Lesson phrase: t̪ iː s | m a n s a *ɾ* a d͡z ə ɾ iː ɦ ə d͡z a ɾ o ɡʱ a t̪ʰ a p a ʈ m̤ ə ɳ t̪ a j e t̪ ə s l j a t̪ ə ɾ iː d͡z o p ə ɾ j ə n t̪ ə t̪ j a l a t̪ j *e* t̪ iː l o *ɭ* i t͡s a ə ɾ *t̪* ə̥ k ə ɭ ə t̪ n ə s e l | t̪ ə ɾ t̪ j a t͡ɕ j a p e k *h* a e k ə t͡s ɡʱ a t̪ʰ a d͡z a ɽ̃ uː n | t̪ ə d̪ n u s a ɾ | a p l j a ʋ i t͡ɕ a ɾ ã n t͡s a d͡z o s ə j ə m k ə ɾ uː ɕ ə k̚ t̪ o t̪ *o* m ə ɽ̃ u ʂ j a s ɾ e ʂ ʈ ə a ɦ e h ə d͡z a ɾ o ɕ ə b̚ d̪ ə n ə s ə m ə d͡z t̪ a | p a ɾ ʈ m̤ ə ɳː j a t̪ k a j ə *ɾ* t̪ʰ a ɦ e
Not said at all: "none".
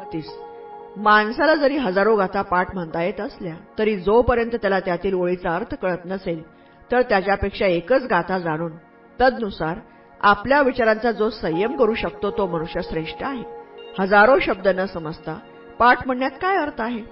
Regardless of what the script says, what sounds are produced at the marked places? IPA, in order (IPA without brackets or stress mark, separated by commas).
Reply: l, a, ɭ, t̪ʰ, ʂ, o, ɾ